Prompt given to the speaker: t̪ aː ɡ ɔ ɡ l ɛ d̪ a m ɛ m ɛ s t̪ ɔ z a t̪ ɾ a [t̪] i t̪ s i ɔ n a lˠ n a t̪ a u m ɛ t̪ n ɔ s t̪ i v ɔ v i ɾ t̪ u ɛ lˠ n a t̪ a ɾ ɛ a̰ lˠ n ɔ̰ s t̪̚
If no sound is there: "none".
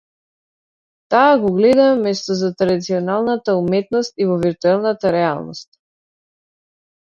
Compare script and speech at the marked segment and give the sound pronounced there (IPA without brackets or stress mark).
d̪